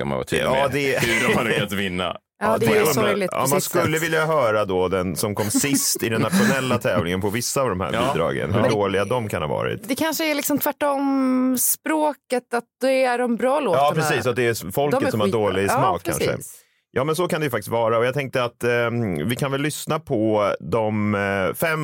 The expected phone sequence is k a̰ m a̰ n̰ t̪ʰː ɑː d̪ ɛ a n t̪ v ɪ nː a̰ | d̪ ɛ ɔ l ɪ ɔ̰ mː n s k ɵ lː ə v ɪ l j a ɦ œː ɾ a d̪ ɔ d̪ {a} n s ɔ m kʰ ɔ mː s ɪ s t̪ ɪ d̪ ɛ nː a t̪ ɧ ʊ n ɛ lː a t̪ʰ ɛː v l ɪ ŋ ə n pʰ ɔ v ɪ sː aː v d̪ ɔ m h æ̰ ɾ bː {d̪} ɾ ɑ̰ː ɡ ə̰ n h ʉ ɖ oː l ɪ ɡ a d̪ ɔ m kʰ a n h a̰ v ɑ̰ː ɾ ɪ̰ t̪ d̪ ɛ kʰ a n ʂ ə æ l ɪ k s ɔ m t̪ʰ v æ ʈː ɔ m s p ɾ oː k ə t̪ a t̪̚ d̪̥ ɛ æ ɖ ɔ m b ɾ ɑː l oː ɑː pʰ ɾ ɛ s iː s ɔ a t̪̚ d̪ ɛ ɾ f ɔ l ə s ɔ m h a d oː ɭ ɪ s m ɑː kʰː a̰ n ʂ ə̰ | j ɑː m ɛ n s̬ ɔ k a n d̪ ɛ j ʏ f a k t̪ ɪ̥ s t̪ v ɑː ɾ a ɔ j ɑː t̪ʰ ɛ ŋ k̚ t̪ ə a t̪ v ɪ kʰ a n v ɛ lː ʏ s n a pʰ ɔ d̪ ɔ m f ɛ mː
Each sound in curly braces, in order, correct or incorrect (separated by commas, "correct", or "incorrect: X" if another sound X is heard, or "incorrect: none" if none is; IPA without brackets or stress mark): incorrect: ɛ, correct